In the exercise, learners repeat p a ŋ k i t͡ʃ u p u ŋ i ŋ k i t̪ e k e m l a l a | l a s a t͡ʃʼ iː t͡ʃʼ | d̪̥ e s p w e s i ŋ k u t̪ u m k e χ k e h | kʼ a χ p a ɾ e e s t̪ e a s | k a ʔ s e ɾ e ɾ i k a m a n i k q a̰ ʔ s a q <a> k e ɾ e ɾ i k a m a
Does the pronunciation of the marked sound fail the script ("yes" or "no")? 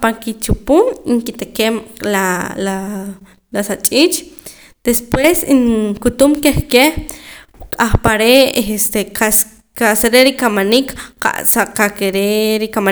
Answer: no